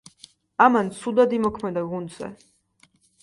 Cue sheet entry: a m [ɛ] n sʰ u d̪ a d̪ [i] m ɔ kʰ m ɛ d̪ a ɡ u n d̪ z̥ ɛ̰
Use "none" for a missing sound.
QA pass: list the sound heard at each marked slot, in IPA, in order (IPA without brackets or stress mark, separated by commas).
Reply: a, i